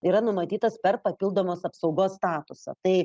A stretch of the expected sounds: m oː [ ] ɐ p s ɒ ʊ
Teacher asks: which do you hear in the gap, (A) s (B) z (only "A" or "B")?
A